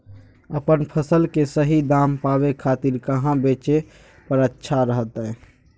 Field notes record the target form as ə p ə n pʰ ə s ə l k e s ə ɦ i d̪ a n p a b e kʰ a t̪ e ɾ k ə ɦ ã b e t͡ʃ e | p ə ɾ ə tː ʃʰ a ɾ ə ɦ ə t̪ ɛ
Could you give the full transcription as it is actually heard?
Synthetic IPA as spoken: ə p ə n pʰ ə s ə l k e s ə ɦ i d̪ a m p a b e kʰ a t̪ i ɾ k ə ɦ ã b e t͡ʃ e | p ə ɾ ə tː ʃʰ a ɾ ə ɦ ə t̪ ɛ